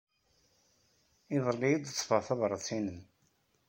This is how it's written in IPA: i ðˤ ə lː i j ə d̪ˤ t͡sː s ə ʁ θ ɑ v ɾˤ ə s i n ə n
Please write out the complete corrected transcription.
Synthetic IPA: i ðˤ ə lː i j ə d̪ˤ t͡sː f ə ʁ θ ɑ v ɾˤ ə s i n ə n

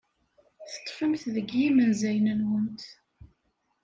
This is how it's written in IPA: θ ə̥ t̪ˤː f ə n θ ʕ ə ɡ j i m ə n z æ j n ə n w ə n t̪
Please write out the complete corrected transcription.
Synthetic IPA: θ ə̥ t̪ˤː f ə m θ ð ə ɡ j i m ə n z æ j n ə n w ə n t̪

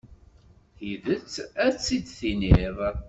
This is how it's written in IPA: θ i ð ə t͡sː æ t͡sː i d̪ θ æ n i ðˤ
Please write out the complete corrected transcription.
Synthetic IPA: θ i ð ə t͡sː æ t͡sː i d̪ θ i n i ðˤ

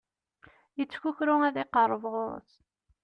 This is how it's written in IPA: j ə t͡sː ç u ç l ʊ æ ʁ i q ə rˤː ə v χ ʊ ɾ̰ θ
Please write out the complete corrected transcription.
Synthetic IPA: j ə t͡sː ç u ç ɾ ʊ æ ð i q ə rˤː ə v ʁ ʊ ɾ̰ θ

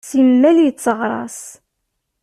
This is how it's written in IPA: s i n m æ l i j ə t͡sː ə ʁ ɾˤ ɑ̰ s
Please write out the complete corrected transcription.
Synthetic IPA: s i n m æ l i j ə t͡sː ə ʁ ɾˤ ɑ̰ s

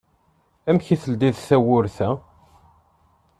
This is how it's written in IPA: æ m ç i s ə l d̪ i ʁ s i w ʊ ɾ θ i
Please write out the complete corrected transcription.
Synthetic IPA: æ m ç i θ ə l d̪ i ð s æ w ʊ ɾ θ æ

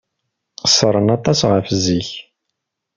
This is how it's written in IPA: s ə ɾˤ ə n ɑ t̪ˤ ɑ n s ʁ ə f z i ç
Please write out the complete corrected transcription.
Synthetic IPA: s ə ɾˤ ə n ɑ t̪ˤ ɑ s ʁ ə f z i ç

